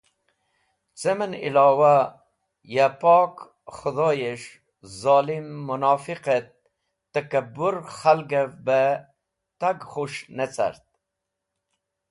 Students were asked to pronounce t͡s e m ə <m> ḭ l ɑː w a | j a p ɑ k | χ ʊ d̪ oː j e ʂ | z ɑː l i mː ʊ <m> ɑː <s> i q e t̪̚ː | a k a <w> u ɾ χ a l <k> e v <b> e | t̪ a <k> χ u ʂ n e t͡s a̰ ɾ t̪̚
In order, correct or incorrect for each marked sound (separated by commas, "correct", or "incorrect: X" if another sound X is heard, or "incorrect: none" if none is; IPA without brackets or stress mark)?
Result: incorrect: n, incorrect: n, incorrect: f, incorrect: b, incorrect: ɡ, correct, incorrect: ɡ